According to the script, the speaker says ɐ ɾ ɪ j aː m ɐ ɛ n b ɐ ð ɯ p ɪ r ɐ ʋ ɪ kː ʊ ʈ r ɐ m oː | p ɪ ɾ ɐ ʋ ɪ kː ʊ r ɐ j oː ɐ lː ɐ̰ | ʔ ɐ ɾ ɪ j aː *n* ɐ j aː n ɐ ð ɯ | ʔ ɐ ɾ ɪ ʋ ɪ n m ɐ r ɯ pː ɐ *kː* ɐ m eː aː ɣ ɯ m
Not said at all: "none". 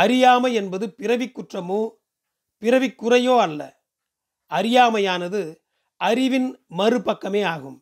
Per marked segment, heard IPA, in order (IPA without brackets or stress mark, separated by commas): m, kː